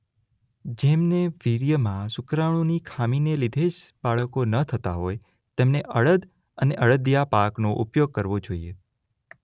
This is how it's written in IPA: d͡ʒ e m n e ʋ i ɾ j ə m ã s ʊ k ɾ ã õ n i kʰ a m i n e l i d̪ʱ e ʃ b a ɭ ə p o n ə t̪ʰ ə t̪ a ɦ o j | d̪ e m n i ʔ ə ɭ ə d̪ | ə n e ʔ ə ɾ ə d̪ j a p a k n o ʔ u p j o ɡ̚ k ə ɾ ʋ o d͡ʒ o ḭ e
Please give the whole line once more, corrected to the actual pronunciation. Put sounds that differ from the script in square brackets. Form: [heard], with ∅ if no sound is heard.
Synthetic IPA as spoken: d͡ʒ e m n e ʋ i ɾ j ə m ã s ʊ k ɾ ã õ n i kʰ a m i n e l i d̪ʱ e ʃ b a ɭ ə [k] o n ə t̪ʰ ə t̪ a ɦ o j | [t̪] e m n [e] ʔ ə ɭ ə d̪ | ə n e ʔ ə [ɭ] ə d̪ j a p a k n o ʔ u p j o ɡ̚ k ə ɾ ʋ o d͡ʒ o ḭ e